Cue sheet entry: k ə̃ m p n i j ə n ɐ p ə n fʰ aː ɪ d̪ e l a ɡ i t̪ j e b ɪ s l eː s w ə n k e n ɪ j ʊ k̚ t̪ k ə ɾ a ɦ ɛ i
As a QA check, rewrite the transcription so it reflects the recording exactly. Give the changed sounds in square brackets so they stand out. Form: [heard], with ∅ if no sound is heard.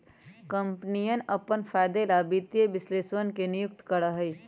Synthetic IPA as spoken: k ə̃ m p n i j ə n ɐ p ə n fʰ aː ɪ d̪ e l a [b] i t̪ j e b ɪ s l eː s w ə n k e n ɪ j ʊ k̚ t̪ k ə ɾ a ɦ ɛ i